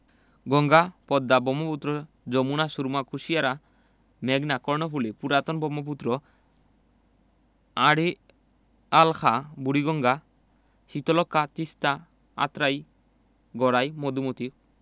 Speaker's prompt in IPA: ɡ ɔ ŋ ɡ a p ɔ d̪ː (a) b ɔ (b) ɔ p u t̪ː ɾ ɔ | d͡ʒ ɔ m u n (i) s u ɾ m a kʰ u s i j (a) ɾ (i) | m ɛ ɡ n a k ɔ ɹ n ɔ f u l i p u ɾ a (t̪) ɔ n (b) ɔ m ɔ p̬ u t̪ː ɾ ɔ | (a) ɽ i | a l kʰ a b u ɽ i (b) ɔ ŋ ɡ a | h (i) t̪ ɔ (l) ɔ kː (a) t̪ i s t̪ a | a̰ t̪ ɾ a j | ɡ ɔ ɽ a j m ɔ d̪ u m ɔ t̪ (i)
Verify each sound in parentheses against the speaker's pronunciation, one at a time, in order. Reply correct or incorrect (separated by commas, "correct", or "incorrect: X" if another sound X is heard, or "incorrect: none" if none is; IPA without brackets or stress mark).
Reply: correct, incorrect: m, incorrect: a, correct, incorrect: a, correct, correct, correct, incorrect: ɡ, correct, correct, correct, correct